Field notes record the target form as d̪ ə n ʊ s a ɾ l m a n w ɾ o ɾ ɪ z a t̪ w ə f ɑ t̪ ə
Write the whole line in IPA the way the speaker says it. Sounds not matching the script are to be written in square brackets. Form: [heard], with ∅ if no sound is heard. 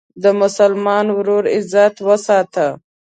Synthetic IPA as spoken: d̪ ə [m] ʊ s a [∅] l m [ɑ] n w ɾ o ɾ ɪ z a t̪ w ə [s] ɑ t̪ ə